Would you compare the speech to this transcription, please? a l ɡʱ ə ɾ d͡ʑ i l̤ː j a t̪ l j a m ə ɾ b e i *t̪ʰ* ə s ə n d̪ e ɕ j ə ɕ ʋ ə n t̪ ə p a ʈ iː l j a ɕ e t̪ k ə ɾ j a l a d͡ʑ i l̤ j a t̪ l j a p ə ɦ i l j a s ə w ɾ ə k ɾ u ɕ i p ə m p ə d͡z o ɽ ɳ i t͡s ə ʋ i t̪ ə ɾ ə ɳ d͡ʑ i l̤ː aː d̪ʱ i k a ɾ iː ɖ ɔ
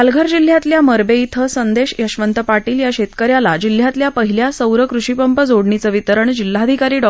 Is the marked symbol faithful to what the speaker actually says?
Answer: yes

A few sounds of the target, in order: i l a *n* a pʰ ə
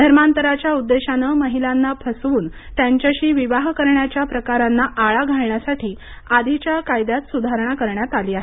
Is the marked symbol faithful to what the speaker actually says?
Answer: no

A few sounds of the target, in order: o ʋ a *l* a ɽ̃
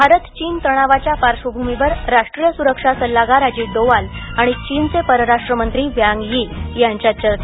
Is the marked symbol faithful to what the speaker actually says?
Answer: yes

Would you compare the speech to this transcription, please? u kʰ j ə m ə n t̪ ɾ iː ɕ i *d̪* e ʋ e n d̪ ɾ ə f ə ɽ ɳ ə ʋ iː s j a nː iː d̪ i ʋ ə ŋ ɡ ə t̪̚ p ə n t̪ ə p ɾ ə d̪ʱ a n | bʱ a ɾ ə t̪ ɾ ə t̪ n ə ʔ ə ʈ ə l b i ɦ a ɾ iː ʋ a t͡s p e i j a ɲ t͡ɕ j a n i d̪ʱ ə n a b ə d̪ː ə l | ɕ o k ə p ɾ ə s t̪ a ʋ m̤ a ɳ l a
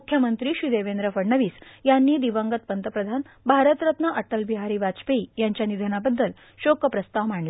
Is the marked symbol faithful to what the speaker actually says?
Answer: yes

